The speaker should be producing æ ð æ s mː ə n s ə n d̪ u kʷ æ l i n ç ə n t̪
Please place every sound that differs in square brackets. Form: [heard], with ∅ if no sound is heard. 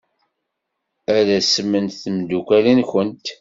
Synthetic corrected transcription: æ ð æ s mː ə n [θ] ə [m] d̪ u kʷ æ l i n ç ə n t̪